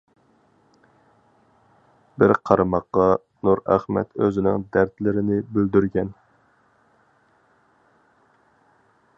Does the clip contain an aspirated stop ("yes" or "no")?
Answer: yes